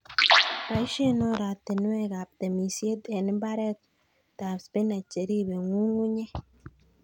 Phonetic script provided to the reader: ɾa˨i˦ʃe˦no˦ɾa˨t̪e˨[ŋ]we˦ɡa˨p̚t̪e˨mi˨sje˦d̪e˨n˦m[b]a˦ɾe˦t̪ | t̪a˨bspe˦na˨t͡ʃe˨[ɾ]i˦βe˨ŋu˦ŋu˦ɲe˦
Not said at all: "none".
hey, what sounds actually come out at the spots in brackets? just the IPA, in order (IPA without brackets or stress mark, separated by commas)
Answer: n, b, ɾ